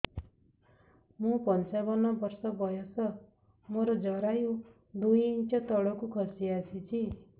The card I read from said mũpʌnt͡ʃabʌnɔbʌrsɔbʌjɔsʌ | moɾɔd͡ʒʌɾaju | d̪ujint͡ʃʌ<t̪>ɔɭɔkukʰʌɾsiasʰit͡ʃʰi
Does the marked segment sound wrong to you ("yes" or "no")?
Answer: no